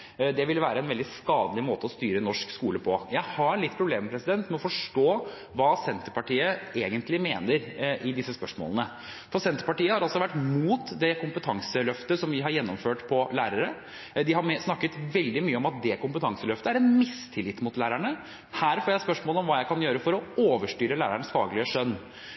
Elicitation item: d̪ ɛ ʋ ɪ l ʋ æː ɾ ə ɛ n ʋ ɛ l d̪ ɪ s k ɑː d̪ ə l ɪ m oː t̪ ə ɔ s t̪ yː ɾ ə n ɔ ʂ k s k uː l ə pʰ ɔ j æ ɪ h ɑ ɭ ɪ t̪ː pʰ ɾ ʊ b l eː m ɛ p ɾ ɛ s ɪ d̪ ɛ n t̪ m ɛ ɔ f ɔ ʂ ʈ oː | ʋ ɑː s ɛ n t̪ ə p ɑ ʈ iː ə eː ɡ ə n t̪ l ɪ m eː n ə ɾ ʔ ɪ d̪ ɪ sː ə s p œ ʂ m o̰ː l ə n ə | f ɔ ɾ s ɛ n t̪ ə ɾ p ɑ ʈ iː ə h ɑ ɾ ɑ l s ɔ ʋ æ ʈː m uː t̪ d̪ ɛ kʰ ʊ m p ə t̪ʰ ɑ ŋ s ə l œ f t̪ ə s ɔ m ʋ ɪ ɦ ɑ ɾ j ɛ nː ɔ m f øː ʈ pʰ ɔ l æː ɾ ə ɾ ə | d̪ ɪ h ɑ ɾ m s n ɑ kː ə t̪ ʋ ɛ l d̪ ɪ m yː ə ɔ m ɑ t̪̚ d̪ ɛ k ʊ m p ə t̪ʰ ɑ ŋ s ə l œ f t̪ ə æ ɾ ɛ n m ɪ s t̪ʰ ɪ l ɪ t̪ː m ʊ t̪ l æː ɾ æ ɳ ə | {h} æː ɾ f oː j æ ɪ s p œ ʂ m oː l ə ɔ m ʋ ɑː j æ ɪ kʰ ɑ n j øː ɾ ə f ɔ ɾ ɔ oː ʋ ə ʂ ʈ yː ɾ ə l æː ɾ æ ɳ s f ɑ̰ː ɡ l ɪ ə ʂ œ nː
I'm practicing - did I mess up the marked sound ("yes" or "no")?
no